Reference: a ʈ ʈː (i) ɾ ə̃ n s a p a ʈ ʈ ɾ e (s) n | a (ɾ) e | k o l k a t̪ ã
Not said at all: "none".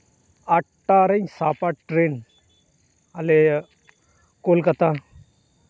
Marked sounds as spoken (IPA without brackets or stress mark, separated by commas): a, none, l